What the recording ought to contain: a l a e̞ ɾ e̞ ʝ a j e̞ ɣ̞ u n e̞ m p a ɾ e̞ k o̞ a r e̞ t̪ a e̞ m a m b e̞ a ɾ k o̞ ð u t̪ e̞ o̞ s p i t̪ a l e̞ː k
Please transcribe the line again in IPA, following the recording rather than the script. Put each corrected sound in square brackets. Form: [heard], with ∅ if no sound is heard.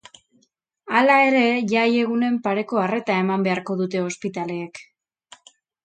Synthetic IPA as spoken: a l a e̞ ɾ e̞ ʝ a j e̞ ɣ̞ u n e̞ m p a ɾ e̞ k o̞ a r e̞ t̪ a e̞ m a m b e̞ a ɾ k o̞ ð u t̪ e̞ o̞ s p i t̪ a l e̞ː k